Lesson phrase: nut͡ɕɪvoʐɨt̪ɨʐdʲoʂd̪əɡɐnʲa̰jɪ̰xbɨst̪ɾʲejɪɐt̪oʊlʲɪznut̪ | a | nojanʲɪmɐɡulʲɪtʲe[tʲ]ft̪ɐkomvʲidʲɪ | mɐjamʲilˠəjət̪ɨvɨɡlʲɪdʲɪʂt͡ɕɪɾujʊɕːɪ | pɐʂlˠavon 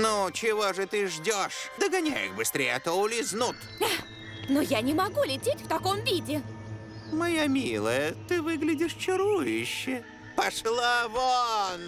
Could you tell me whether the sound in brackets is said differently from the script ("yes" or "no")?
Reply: no